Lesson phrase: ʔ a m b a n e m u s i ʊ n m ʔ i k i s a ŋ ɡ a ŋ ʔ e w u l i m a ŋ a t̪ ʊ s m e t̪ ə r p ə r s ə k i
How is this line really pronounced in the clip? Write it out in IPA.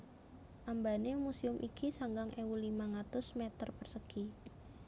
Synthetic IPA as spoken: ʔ a m b a n e m u s i ʊ m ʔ i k i s a ŋ ɡ a ŋ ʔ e w u l i m a ŋ a t̪ ʊ s m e t̪ ə r p ə r s ə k i